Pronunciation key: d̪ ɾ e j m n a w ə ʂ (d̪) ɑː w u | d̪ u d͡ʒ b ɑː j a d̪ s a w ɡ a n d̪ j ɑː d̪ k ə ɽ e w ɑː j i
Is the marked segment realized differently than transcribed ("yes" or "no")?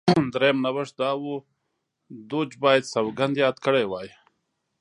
no